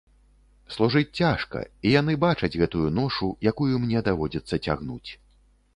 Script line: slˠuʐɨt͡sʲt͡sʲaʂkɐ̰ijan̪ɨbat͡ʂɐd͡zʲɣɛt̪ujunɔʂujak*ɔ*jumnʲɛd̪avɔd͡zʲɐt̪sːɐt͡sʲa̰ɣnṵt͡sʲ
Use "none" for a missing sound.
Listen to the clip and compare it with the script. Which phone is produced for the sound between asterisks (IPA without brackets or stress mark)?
u